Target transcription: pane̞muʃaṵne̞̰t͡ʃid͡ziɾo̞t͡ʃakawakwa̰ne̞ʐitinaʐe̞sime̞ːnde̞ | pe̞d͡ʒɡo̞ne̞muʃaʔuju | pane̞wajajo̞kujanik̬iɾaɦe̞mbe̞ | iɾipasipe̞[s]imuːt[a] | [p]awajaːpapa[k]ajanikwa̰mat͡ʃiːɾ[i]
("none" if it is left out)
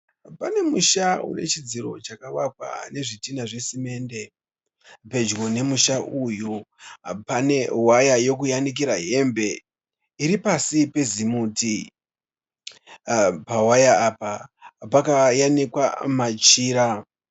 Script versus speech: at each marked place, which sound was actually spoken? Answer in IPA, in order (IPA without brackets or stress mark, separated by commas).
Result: z, i, p, k, a